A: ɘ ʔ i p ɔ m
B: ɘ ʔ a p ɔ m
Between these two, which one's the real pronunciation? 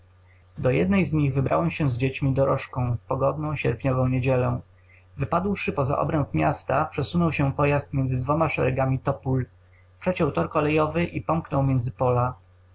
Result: A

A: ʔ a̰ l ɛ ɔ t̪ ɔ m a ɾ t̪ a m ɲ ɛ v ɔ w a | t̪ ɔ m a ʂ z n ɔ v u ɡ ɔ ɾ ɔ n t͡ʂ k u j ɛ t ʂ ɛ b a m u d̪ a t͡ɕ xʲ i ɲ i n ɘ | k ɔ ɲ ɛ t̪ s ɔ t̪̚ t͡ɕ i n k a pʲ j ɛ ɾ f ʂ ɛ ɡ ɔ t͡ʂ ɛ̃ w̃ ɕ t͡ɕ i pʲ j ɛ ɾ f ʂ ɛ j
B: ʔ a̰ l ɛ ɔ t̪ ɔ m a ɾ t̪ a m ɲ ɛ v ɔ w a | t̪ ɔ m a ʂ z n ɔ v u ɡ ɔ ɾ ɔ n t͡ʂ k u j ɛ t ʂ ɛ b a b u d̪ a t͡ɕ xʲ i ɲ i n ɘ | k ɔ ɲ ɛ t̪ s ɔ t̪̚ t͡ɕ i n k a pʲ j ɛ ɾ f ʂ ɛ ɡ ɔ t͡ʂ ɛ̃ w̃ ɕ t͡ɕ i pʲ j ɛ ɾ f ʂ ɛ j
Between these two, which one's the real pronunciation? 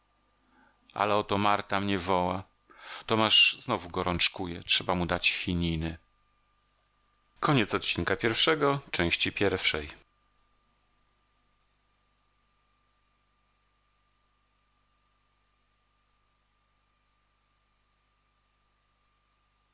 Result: A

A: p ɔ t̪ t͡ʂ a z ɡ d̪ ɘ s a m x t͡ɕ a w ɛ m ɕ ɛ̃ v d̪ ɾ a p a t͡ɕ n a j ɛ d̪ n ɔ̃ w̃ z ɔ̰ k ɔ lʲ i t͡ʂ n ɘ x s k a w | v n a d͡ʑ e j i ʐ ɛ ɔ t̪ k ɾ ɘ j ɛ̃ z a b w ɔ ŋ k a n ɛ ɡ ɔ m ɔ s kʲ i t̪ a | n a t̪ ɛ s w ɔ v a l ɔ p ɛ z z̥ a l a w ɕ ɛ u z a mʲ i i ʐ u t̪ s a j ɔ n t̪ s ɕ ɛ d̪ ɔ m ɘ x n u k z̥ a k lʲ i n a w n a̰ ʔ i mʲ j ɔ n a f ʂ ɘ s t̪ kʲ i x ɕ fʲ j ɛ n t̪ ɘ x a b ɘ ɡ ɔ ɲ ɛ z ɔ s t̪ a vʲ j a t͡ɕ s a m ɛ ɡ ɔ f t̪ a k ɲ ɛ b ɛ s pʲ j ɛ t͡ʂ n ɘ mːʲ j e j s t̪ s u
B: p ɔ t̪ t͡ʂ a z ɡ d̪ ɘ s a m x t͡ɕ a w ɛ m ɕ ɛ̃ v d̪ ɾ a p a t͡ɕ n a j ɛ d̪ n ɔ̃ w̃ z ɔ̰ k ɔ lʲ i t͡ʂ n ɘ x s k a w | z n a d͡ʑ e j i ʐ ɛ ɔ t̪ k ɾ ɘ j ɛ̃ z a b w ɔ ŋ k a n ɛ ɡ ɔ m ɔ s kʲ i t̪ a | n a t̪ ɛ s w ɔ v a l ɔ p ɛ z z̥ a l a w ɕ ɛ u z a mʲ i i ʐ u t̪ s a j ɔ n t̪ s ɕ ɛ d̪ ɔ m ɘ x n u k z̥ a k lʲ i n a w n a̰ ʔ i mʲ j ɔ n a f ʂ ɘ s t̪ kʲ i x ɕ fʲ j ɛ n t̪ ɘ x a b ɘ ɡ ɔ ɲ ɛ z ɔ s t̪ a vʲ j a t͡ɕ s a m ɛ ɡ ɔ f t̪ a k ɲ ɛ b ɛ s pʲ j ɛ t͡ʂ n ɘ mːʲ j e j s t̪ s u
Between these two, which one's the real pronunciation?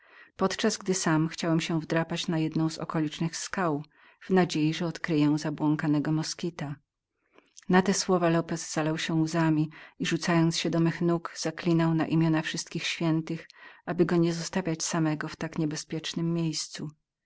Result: A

